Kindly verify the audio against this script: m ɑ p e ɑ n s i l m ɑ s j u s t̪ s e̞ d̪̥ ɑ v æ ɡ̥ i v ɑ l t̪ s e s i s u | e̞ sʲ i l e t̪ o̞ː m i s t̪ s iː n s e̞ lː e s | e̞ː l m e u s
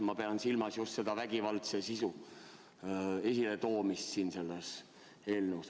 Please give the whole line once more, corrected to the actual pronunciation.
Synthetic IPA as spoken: m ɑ p e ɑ n s i l m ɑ s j u s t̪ s e̞ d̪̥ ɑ v æ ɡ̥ i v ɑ l t̪ s e s i s u | e̞ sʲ i l e t̪ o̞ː m i s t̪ s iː n s e̞ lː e s | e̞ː l n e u s